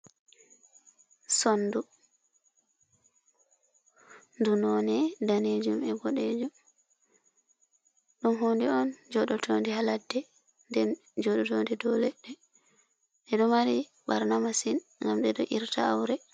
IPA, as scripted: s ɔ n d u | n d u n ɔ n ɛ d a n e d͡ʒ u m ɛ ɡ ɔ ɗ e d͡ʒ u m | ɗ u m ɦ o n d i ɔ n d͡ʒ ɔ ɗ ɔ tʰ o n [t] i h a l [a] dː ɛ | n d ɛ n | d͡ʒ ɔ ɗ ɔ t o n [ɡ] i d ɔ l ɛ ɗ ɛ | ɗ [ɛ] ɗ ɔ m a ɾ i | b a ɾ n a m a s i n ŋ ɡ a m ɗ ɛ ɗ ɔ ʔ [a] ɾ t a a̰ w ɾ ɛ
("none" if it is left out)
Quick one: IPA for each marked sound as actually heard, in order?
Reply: d, a, d, ɛ, i

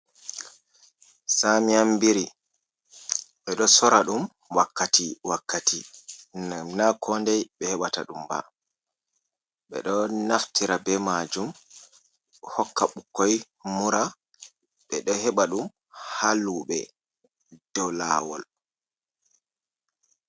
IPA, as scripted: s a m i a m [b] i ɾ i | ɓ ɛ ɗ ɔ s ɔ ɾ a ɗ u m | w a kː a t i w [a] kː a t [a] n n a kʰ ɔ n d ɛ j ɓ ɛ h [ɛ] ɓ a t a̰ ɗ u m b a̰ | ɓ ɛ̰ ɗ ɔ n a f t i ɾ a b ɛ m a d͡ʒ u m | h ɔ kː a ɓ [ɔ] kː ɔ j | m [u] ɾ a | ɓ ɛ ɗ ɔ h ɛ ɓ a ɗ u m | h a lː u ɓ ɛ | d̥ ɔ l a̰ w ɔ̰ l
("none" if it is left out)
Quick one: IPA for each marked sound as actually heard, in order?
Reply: b, a, i, ɛ, u, u

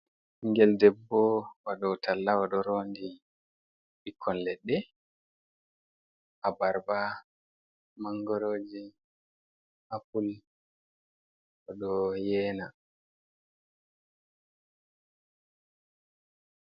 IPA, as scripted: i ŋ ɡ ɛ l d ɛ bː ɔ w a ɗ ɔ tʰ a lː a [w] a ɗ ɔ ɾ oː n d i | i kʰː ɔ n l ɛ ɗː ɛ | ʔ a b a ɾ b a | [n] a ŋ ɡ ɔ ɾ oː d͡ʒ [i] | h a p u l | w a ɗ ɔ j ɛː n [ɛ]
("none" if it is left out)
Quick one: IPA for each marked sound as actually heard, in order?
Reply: w, m, i, a

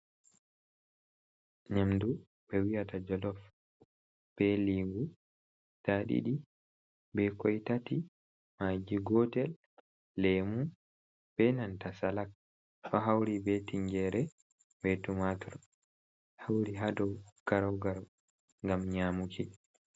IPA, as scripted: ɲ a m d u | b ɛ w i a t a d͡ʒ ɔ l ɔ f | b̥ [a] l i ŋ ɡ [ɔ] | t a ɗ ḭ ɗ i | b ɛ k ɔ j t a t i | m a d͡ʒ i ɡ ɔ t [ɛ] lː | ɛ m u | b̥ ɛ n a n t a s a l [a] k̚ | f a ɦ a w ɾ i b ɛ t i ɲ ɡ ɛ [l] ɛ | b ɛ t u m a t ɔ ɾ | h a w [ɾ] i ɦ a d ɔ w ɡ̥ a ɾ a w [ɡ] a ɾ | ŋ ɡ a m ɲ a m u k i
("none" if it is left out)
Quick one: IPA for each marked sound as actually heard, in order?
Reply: ɛ, u, ɛ, a, ɾ, ɾ, ɡ

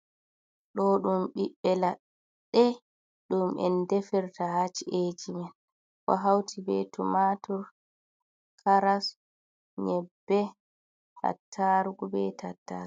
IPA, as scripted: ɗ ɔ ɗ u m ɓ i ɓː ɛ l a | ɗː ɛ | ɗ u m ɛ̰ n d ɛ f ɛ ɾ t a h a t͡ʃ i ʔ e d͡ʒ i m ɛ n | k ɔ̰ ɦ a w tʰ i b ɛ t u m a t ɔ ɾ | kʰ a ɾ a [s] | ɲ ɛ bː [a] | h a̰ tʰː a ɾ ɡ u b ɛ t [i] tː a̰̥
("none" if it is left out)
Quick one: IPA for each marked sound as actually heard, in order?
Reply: s, ɛ, a

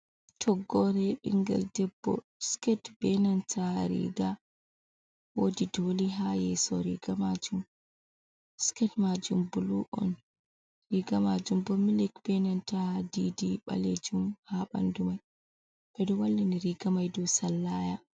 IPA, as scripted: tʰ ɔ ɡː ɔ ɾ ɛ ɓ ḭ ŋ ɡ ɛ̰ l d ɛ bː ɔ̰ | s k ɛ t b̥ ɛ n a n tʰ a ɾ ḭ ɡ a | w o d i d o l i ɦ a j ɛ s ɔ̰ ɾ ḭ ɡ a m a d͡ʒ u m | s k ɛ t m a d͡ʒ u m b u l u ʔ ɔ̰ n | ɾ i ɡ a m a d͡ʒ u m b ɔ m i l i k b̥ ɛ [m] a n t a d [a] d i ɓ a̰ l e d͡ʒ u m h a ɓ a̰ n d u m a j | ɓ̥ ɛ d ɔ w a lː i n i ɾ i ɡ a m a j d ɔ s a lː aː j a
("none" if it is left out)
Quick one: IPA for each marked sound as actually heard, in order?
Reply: n, i

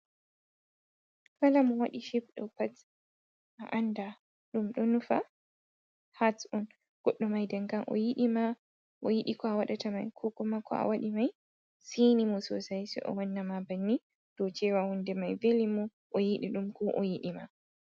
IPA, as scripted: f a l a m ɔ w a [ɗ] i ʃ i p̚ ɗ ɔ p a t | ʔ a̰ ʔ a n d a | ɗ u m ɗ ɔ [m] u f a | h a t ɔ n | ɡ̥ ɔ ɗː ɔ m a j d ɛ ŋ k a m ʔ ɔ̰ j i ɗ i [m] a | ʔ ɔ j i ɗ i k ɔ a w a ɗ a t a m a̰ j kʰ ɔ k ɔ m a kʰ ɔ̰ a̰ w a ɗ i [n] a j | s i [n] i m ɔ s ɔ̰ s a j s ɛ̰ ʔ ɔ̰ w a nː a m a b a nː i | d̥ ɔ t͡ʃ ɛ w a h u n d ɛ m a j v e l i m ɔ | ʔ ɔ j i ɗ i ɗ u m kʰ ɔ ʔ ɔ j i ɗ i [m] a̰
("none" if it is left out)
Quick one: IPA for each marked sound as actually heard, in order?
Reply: ɗ, n, m, m, n, m

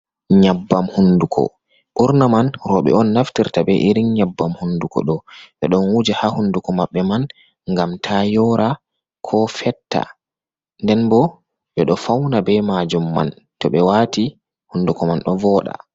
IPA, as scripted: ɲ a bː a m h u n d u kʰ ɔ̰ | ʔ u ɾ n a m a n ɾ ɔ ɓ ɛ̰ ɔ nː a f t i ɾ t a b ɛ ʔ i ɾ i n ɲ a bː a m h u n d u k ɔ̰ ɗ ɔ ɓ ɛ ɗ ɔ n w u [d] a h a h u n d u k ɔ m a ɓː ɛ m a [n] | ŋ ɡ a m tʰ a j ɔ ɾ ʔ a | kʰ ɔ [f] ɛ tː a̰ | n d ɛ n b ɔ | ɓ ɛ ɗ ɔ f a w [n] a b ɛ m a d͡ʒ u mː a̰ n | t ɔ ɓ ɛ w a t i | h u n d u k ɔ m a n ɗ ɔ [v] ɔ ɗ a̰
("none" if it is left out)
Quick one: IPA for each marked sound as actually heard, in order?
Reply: d͡ʒ, n, f, n, v

